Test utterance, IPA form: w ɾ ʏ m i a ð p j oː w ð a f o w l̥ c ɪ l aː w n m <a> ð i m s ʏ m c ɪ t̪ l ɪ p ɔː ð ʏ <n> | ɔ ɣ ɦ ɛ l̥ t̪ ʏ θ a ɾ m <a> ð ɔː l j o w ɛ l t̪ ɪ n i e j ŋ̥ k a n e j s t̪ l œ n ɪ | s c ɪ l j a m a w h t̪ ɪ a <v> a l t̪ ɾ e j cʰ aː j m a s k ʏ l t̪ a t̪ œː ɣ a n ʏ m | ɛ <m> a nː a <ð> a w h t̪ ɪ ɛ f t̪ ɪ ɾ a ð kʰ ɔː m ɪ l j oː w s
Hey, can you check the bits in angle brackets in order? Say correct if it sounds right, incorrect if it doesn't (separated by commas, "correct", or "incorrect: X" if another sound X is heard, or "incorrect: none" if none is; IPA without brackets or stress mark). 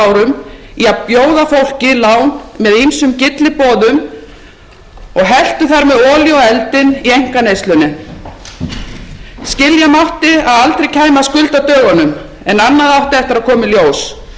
incorrect: ɛ, incorrect: m, incorrect: ɛ, incorrect: ð, incorrect: n, correct